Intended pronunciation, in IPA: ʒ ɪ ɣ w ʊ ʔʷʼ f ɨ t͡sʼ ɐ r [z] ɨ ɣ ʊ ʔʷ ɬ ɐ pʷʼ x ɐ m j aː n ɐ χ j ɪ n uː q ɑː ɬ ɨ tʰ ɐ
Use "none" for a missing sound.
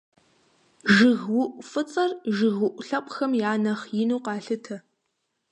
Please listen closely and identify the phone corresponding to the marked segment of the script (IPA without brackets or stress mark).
ʒ